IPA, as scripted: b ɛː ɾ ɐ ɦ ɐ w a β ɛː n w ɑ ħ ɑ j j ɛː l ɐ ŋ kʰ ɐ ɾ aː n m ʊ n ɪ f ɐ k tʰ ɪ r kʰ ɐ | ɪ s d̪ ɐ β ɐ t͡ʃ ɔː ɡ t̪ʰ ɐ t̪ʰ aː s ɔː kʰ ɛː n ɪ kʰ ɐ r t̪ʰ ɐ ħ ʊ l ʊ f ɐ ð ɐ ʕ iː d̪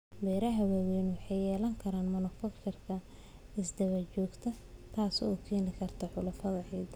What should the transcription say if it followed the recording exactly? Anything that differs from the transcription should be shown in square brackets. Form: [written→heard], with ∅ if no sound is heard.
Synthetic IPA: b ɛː ɾ ɐ ɦ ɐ w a [β→w] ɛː n w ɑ ħ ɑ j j ɛː l ɐ ŋ kʰ ɐ ɾ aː n m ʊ n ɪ f ɐ k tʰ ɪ r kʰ ɐ | ɪ s d̪ ɐ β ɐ t͡ʃ ɔː ɡ t̪ʰ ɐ t̪ʰ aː s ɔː kʰ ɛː n ɪ kʰ ɐ r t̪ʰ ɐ ħ ʊ l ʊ f ɐ ð ɐ ʕ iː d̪